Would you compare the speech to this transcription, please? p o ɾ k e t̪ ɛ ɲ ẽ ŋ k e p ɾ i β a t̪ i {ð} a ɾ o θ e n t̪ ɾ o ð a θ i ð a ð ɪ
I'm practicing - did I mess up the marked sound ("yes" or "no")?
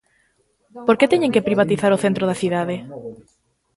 yes